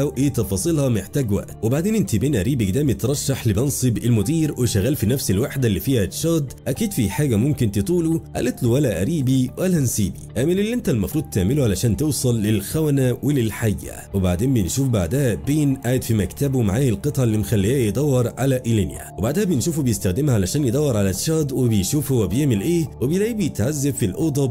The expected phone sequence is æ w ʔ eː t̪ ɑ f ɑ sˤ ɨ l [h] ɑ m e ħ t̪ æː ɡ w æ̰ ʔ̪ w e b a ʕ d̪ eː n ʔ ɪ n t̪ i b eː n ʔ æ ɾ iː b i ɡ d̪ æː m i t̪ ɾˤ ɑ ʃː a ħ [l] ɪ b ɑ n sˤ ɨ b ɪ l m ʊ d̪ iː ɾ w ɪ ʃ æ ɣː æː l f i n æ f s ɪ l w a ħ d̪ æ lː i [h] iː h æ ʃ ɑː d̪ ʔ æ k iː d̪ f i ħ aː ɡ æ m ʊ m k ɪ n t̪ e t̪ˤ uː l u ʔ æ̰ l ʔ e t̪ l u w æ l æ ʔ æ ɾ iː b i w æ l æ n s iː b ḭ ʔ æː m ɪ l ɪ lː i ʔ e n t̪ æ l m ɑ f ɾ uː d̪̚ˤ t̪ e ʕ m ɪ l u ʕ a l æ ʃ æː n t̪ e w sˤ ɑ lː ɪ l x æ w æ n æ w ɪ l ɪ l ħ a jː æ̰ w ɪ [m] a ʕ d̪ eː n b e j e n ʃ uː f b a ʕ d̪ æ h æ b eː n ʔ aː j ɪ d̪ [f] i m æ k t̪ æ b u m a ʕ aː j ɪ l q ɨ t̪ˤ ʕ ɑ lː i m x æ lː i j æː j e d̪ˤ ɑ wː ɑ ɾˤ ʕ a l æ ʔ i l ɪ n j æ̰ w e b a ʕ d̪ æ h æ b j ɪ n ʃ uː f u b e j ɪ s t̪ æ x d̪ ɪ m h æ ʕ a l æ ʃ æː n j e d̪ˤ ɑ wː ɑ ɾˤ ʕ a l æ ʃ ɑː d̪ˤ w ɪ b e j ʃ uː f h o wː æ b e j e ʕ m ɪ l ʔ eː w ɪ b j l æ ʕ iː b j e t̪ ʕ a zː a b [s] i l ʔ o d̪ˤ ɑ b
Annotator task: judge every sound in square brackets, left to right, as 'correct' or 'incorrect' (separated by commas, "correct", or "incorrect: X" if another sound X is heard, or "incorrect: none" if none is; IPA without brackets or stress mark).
correct, correct, incorrect: f, incorrect: b, correct, incorrect: f